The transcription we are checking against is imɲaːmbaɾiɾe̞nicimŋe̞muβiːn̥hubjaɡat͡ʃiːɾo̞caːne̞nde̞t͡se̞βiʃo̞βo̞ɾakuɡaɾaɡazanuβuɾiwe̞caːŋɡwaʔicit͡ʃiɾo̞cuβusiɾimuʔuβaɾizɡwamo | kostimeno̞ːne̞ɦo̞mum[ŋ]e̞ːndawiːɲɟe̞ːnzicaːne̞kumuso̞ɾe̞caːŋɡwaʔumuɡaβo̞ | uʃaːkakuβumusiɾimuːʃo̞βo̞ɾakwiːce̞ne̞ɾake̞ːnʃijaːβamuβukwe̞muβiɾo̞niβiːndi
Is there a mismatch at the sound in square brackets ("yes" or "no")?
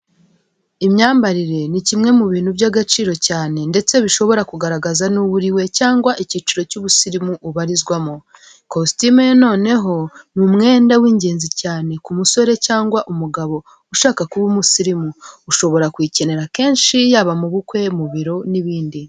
no